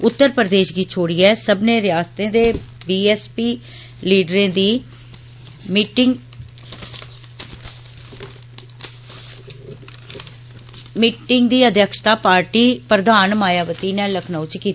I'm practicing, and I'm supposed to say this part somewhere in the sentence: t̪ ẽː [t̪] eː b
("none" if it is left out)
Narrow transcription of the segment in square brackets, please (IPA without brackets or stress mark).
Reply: d̪